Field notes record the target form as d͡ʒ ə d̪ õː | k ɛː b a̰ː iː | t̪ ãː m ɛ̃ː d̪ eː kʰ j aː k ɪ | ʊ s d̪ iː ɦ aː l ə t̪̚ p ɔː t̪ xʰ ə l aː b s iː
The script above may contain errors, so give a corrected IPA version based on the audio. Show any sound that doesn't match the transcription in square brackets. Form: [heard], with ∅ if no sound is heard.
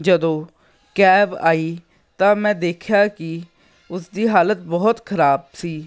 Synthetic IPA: d͡ʒ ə d̪ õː | k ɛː b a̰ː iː | t̪ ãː m ɛ̃ː d̪ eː kʰ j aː k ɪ | ʊ s d̪ iː ɦ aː l ə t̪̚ [b] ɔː t̪ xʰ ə [ɾ] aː b s iː